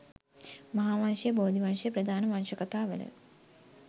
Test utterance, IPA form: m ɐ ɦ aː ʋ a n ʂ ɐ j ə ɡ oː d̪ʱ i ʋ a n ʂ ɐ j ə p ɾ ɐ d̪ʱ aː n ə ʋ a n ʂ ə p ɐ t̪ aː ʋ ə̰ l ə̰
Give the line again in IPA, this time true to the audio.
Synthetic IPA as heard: m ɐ ɦ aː ʋ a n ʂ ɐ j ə b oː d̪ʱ i ʋ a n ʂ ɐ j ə p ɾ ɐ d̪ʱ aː n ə ʋ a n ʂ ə k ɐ t̪ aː ʋ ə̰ l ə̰